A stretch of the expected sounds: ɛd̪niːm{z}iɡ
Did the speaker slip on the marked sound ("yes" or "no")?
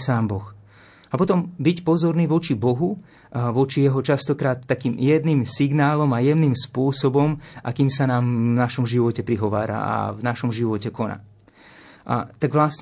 yes